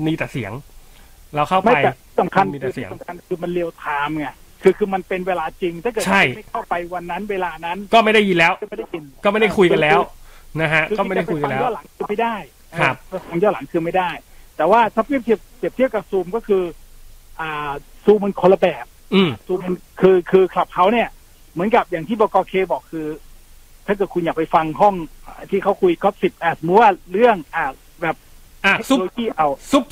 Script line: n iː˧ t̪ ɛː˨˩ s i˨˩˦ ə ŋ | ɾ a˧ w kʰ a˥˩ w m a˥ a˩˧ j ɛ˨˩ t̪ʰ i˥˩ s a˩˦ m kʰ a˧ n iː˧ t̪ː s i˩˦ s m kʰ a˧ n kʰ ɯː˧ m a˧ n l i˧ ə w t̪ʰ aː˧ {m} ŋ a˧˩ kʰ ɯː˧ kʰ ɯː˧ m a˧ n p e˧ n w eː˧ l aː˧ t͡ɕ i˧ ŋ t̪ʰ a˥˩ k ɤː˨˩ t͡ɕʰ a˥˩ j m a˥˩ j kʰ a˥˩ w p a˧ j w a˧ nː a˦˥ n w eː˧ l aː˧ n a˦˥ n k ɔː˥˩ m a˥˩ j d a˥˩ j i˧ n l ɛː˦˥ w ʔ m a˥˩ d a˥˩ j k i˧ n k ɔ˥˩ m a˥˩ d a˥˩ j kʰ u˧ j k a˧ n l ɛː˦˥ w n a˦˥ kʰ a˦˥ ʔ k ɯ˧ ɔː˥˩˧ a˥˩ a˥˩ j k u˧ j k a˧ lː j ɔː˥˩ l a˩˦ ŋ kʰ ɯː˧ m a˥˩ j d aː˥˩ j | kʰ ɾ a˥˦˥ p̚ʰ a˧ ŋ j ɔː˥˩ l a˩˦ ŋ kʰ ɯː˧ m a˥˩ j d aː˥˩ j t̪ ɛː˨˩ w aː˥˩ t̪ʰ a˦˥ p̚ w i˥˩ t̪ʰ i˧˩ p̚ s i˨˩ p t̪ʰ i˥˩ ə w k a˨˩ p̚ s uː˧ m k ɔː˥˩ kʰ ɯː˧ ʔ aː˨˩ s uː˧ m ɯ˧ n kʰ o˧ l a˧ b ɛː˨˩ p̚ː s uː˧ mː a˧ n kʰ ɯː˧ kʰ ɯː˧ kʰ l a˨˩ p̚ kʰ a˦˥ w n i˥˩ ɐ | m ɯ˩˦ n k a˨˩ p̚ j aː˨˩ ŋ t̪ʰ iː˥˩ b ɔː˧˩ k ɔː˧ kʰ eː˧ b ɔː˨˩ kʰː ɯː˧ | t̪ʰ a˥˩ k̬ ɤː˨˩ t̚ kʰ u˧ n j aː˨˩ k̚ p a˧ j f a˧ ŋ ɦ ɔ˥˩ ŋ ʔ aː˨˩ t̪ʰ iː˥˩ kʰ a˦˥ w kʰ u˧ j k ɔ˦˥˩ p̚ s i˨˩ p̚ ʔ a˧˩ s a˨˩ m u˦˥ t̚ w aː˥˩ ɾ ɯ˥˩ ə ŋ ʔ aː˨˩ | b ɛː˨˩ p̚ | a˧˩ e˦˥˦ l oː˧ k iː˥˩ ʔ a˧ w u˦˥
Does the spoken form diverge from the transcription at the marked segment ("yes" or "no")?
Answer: no